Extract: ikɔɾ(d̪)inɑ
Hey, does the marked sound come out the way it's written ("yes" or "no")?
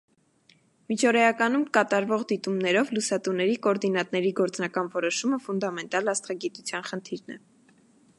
yes